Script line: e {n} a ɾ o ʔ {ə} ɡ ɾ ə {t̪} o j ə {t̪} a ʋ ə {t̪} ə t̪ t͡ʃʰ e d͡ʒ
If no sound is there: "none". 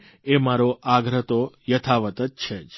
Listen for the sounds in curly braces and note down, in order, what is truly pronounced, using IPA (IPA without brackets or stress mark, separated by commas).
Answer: m, a, t̪, t̪ʰ, t̪